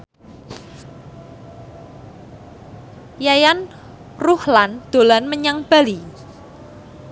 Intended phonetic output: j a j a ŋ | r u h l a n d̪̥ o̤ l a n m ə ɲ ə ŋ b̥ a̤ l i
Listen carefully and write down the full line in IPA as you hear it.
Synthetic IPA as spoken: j a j a n | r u h l a n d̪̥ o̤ l a n m ə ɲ a ŋ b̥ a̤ l i